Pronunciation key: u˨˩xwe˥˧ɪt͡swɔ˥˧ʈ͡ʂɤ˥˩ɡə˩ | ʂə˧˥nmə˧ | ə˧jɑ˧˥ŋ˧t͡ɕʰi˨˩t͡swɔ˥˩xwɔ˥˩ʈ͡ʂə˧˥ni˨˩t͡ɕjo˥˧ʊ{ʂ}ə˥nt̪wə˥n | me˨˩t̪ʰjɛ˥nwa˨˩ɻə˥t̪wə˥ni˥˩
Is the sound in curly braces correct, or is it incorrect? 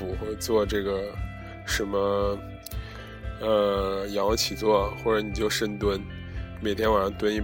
correct